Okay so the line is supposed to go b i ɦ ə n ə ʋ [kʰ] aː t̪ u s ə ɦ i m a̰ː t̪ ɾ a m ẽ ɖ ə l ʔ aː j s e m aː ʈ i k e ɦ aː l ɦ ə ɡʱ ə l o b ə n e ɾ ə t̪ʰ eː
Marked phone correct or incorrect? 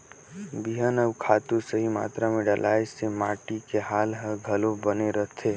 correct